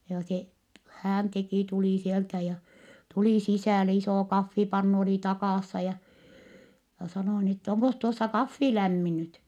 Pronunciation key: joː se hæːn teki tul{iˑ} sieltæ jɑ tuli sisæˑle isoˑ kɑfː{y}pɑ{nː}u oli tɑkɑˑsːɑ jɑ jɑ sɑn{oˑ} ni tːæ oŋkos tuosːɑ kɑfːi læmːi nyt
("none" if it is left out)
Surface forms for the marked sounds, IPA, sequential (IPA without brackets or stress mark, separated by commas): iˑ, i, nː, oˑ